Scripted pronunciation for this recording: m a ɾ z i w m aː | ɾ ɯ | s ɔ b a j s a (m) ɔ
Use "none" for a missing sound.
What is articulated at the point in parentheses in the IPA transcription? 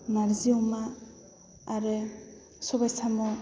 m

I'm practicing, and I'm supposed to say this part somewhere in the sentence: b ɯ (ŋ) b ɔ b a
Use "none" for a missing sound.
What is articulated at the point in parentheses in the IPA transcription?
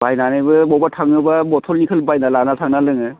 none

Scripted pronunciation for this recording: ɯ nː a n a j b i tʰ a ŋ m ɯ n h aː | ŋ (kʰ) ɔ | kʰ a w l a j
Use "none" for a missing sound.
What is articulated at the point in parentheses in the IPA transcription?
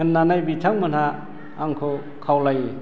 kʰ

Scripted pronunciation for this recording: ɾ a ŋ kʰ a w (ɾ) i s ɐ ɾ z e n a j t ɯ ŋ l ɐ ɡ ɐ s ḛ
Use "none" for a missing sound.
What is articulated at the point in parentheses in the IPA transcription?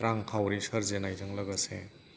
ɾ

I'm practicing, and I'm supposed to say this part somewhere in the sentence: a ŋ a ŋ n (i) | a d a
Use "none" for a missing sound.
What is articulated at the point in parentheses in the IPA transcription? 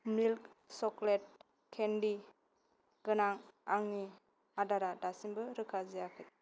i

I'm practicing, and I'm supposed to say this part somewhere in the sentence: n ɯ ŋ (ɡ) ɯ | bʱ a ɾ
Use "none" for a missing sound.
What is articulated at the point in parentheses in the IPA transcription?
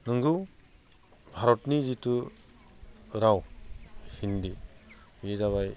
ɡ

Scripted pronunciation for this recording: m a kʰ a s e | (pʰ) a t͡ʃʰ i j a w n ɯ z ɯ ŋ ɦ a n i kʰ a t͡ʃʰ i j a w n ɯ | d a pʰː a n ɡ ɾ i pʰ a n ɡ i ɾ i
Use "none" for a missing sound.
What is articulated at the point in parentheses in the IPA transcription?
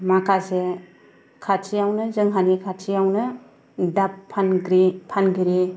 kʰ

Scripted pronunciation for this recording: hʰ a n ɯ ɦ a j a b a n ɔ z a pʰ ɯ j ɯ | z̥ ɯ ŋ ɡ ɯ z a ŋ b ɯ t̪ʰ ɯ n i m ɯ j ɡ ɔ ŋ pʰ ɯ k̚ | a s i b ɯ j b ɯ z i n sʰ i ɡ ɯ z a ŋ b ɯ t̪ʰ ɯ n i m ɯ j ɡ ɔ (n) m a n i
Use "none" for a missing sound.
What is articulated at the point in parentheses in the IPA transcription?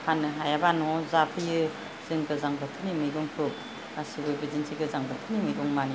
ŋ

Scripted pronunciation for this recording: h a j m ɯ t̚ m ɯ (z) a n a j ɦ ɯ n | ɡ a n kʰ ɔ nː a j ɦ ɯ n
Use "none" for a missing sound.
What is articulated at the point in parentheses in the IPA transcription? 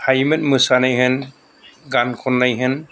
s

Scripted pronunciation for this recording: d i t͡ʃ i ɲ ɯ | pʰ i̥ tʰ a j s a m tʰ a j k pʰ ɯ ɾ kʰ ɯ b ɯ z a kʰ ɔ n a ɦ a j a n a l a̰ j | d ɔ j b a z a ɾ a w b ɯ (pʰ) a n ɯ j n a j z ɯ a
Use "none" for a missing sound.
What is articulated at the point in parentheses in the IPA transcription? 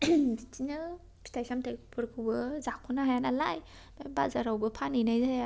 pʰ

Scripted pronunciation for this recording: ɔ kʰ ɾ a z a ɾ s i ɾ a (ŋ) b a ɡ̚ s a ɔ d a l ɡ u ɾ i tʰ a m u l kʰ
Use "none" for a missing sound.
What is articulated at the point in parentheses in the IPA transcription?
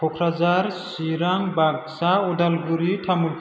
ŋ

